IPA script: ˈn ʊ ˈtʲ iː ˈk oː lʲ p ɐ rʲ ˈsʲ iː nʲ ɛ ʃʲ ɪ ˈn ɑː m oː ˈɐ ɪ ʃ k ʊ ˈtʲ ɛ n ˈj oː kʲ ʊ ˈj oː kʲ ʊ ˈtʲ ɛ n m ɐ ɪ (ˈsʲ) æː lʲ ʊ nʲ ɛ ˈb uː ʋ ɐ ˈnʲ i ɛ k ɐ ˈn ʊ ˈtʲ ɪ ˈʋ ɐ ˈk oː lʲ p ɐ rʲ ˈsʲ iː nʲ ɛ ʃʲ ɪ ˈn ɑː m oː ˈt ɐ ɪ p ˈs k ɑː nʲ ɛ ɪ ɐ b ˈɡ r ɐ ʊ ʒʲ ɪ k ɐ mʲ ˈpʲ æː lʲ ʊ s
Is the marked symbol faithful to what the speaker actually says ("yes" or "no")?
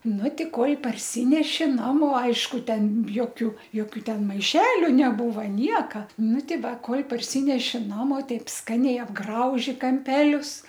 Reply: no